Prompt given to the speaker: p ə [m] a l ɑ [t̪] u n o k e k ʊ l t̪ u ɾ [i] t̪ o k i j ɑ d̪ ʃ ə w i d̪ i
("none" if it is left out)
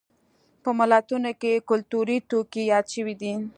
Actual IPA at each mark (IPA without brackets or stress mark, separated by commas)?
m, t̪, i